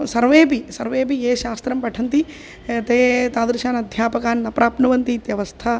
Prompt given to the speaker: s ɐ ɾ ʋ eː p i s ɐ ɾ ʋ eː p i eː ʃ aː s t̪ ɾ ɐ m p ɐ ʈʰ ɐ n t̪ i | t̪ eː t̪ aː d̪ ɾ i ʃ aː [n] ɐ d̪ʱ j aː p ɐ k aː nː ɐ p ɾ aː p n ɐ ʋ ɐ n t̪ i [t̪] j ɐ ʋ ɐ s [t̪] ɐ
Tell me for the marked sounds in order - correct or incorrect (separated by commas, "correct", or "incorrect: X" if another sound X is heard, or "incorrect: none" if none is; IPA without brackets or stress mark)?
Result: correct, correct, incorrect: t̪ʰ